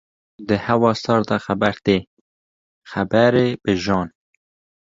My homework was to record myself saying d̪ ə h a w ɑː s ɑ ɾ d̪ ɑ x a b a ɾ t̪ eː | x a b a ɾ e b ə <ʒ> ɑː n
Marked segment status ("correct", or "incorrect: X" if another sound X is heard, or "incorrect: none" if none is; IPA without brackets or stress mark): correct